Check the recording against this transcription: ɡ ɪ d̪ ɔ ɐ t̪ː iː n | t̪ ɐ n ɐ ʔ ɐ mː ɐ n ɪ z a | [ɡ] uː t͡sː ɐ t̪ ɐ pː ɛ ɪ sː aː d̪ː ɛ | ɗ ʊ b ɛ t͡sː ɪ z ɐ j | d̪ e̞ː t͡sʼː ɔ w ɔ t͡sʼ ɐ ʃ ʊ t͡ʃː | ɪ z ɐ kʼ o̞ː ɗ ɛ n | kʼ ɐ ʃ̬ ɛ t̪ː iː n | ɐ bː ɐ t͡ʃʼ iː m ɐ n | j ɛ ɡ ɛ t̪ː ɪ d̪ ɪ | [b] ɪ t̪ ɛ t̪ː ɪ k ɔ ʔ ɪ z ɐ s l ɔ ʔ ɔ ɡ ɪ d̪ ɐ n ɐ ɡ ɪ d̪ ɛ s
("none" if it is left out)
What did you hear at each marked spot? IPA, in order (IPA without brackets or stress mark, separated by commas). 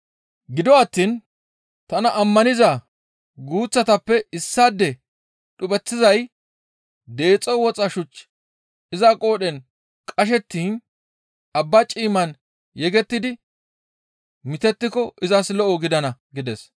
ɡ, m